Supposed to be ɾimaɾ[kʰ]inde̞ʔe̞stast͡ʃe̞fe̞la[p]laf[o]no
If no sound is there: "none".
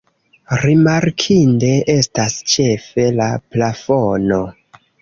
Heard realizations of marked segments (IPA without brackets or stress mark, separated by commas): kʰ, p, o